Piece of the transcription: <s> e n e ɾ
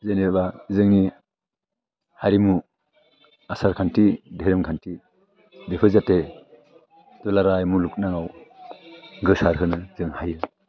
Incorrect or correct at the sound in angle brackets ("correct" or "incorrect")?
incorrect